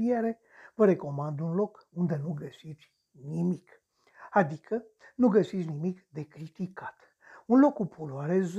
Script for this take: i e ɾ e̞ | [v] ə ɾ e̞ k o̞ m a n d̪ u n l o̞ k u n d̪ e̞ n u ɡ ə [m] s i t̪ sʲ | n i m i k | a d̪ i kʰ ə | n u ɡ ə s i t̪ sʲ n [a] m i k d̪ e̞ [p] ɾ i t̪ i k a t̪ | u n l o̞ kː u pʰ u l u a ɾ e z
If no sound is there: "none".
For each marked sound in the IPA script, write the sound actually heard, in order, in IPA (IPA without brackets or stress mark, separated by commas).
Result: v, none, i, k